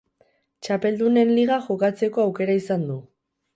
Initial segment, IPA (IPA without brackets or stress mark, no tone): t͡ʃ